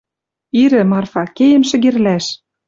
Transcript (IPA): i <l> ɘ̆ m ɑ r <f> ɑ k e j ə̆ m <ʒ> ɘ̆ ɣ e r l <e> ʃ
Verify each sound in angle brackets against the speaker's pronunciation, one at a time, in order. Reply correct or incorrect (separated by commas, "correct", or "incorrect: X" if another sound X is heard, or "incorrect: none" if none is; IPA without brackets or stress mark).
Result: incorrect: ɾ, correct, incorrect: ʃ, incorrect: æ